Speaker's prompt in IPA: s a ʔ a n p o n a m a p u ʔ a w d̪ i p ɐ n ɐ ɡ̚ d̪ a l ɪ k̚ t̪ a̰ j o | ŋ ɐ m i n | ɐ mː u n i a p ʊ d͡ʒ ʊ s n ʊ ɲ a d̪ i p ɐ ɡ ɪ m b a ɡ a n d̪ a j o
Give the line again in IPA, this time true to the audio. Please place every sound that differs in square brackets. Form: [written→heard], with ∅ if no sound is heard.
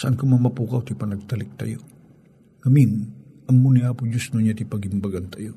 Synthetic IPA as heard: s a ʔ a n [p→k] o [n→m] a m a p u [ʔ→k] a w [d̪→t̪] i p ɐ n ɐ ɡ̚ [d̪→t̪] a l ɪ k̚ t̪ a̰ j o | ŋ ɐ m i n | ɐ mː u n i a p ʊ d͡ʒ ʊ s n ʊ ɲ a [d̪→t̪] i p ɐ ɡ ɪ m b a ɡ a n [d̪→t̪] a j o